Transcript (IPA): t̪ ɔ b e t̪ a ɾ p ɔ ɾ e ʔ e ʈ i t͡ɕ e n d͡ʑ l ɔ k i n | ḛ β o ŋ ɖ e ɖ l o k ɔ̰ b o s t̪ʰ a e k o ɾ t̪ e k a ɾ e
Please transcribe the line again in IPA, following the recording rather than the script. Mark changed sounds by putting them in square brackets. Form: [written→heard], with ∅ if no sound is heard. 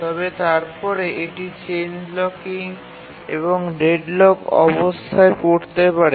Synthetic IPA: t̪ ɔ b e t̪ a ɾ p ɔ ɾ e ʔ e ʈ i t͡ɕ e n d͡ʑ l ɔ k i [n→ŋ] | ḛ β o ŋ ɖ e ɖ l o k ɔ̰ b o s t̪ʰ a e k o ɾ t̪ e [k→p] a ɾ e